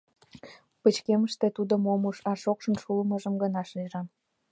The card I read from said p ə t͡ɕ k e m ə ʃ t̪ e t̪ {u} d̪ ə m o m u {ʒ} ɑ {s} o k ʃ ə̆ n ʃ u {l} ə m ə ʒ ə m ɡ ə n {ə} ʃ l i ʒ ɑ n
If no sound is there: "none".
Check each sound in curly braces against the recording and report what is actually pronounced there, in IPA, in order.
u, ʃ, ʃ, l, ɑ

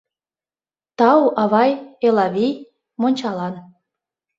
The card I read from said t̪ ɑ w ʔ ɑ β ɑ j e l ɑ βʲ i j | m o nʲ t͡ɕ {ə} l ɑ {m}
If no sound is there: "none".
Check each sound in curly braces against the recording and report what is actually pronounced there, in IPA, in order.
ɑ, n

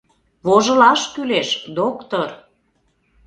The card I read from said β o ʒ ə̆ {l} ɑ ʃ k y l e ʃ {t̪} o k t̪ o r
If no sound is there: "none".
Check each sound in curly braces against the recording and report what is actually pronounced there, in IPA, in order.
l, d̪

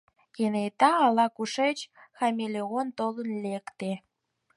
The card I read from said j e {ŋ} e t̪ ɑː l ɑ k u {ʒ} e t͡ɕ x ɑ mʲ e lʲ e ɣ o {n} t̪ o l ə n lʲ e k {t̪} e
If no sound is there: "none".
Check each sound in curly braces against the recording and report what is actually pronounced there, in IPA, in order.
n, ʃ, n, t̪

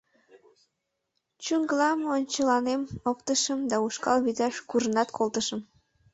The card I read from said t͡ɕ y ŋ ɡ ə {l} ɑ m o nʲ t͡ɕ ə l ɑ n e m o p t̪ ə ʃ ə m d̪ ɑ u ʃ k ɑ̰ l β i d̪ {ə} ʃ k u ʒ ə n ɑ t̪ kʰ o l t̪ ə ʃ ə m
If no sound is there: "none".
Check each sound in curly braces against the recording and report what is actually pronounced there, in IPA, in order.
l, ɑ

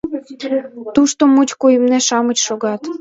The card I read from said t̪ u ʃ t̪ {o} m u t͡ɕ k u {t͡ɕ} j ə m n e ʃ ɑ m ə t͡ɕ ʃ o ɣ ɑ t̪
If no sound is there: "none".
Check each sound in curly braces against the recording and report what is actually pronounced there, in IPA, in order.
o, none

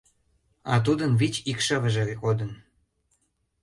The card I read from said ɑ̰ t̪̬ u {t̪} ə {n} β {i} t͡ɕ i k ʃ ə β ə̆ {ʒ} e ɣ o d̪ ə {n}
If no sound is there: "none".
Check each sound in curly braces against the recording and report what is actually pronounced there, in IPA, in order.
d̪, n, i, ʒ, n

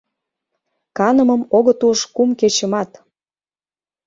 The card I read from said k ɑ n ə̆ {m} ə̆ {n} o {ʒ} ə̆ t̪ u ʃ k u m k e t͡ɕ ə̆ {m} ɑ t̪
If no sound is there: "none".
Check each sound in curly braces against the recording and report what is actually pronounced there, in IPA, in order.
m, m, ɣ, m

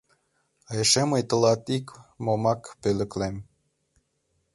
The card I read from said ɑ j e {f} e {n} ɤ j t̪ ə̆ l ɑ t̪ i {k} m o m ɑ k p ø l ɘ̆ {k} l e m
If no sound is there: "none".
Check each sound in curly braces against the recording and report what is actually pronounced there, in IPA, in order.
ʃ, m, k, k

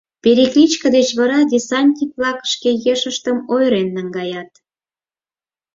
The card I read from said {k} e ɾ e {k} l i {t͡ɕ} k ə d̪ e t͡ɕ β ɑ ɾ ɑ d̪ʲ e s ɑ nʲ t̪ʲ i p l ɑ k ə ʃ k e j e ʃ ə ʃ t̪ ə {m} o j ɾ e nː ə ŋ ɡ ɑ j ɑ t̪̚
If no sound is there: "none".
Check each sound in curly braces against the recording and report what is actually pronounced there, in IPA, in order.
p, k, t͡ɕ, m

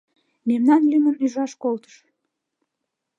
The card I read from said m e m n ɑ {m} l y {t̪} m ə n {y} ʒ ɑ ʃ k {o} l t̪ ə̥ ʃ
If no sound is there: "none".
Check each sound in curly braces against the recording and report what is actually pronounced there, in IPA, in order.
n, none, y, o

